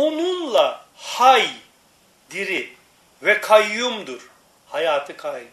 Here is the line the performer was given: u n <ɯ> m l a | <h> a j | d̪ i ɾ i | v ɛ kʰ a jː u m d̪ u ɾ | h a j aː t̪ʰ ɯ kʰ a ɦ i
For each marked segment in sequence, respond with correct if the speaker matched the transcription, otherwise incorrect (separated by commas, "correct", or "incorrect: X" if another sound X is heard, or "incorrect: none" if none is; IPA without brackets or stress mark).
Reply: incorrect: u, correct